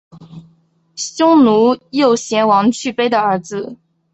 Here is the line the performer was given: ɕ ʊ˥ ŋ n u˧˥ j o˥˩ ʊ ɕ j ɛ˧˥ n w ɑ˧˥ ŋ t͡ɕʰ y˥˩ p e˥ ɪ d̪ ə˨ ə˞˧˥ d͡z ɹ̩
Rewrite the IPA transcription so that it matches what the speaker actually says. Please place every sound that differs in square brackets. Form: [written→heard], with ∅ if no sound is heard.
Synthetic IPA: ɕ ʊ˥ ŋ n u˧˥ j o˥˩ ʊ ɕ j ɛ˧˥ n w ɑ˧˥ ŋ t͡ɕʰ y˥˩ p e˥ ɪ d̪ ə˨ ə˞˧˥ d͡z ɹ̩